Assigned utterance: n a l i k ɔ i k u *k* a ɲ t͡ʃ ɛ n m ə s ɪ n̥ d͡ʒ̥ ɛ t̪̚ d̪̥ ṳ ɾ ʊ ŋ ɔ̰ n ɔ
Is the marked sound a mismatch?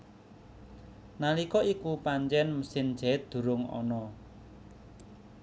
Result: yes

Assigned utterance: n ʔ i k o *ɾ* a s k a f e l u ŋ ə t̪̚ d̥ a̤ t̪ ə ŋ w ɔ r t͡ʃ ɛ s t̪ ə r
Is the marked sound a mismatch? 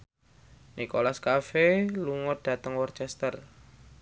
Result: yes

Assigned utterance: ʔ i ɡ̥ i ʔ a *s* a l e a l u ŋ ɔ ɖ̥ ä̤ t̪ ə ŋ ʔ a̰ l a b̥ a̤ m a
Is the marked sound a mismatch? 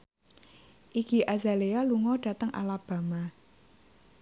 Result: yes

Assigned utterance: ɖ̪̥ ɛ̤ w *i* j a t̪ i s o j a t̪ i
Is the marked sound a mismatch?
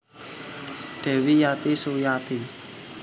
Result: no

